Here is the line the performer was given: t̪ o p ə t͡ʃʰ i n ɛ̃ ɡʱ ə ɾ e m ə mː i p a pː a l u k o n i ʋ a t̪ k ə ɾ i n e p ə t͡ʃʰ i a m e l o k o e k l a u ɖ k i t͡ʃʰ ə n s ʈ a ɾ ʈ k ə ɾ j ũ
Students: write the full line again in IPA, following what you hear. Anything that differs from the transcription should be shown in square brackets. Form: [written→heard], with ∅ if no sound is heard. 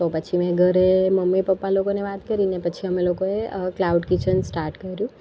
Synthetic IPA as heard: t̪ o p ə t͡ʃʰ i [n→m] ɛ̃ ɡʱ ə ɾ e m ə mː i p [a→ə] pː a l [u→o] k o n [i→e] ʋ a t̪ k ə ɾ i n e p ə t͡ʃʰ i [a→ə] m e l o k o e k l a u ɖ k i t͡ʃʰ ə n s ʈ a ɾ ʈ k ə ɾ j ũ